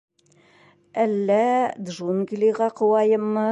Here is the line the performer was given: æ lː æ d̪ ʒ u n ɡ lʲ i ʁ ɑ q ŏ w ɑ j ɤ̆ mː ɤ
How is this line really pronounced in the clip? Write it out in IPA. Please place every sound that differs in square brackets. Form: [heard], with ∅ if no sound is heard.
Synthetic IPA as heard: æ lː æ d̪ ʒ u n ɡ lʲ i ʁ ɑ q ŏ w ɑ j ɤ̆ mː ɤ